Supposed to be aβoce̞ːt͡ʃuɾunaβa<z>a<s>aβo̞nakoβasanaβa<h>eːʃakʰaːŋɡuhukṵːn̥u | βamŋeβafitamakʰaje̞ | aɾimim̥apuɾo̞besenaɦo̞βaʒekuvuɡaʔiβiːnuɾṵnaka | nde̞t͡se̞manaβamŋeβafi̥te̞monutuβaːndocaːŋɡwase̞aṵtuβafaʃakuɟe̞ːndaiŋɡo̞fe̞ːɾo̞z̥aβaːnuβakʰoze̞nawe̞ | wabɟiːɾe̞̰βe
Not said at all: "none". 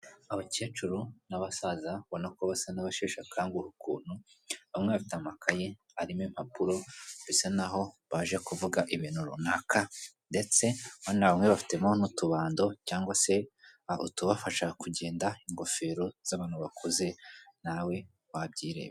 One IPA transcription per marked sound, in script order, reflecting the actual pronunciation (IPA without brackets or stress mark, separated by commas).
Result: s, z, ʃ